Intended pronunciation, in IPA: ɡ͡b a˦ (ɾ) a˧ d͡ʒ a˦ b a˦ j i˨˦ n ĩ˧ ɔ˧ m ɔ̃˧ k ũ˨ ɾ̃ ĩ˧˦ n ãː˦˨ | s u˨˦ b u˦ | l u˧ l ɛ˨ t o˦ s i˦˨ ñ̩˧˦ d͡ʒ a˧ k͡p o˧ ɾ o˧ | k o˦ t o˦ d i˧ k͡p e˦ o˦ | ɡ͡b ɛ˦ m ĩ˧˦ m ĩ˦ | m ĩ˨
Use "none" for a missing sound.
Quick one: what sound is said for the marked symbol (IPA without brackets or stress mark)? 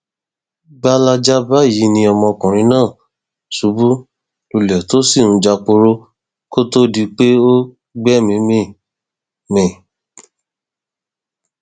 l